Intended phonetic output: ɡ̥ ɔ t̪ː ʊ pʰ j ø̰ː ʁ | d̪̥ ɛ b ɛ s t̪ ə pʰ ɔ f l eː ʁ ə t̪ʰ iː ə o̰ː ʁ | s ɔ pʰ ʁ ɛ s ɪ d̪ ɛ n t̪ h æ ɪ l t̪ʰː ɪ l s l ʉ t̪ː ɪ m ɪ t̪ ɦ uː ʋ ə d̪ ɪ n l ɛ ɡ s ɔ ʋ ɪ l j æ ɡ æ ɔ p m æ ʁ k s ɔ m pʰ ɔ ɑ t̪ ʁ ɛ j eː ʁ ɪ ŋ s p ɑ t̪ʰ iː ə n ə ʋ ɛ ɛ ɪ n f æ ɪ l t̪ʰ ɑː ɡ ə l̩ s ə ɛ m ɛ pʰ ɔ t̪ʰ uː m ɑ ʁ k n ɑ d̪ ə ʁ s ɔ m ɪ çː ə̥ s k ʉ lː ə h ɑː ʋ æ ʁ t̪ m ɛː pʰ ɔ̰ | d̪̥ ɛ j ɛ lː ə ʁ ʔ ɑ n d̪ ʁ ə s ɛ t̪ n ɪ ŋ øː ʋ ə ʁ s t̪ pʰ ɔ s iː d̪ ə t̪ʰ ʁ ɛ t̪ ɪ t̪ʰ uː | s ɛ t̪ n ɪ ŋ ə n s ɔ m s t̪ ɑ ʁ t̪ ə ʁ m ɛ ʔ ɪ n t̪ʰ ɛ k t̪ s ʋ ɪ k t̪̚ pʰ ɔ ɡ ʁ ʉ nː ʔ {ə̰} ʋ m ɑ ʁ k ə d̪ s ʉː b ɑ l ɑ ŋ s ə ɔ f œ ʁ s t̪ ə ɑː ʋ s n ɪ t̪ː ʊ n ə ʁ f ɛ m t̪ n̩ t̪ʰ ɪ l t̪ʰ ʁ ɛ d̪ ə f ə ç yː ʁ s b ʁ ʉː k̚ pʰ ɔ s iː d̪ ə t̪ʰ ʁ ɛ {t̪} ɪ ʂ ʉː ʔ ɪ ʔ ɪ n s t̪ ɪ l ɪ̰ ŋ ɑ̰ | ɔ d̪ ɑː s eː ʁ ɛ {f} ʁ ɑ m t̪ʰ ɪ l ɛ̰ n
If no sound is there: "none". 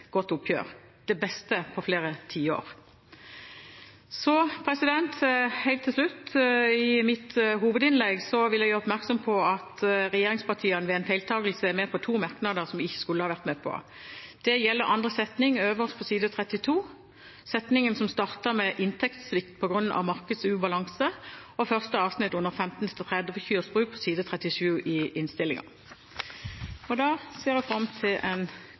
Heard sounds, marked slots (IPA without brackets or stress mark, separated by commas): ɑ̰, t̪, f